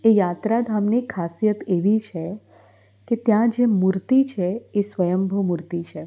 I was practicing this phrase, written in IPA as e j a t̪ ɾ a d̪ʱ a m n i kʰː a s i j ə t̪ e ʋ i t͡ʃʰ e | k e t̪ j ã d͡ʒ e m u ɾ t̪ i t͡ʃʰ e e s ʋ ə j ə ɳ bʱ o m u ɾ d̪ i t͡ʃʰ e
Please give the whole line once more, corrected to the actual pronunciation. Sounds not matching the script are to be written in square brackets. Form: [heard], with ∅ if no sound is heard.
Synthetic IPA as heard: e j a t̪ ɾ a d̪ʱ a m n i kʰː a s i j ə t̪ e ʋ i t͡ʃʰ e | k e t̪ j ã d͡ʒ e m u ɾ t̪ i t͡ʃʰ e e s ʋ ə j ə [m] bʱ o m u ɾ [t̪] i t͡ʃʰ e